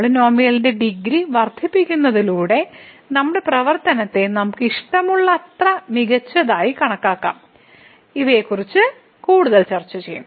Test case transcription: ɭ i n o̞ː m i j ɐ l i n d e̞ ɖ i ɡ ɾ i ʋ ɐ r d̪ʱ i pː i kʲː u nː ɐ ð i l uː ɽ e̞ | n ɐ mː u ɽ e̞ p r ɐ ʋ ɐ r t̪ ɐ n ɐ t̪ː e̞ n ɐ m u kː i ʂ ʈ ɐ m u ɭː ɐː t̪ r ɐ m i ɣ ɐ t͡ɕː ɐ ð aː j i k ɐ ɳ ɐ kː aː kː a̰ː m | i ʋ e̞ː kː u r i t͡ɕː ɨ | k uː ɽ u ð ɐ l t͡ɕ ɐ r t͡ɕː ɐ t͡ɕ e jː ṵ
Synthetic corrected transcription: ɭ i n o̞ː m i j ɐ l i n d e̞ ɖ i ɡ ɾ i ʋ ɐ r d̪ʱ i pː i kʲː u nː ɐ ð i l uː ɽ e̞ | n ɐ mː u ɽ e̞ p r ɐ ʋ ɐ r t̪ ɐ n ɐ t̪ː e̞ n ɐ m u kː i ʂ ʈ ɐ m u ɭː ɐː t̪ r ɐ m i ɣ ɐ t͡ɕː ɐ ð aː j i k ɐ ɳ ɐ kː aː kː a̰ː m | i ʋ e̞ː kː u r i t͡ɕː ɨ | k uː ɽ u ð ɐ l t͡ɕ ɐ r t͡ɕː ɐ t͡ɕ e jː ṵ

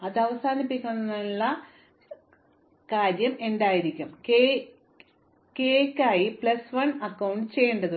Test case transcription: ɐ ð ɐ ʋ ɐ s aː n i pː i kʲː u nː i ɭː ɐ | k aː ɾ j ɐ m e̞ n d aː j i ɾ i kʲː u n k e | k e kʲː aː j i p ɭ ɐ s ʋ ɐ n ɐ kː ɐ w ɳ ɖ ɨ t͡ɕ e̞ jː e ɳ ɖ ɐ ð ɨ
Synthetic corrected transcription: ɐ ð ɐ ʋ ɐ s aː n i pː i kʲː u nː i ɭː ɐ | k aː ɾ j ɐ m e̞ n d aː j i ɾ i kʲː u m k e | k e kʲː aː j i p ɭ ɐ s ʋ ɐ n ɐ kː ɐ w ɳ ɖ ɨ t͡ɕ e̞ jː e ɳ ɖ ɐ ð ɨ

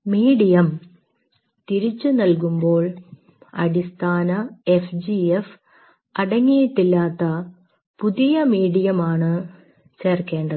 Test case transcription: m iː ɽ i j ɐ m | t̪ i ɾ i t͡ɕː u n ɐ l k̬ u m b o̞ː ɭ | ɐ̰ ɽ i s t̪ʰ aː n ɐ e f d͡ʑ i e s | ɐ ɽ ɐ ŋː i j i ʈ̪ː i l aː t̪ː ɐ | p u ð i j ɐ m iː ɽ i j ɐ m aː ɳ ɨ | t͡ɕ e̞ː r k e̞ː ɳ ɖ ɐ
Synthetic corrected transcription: m iː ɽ i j ɐ m | t̪ i ɾ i t͡ɕː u n ɐ l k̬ u m b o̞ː ɭ | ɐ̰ ɽ i s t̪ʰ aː n ɐ e f d͡ʑ i e f | ɐ ɽ ɐ ŋː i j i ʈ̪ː i lː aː t̪ː ɐ | p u ð i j ɐ m iː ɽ i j ɐ m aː ɳ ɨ | t͡ɕ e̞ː r k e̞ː ɳ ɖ ɐ

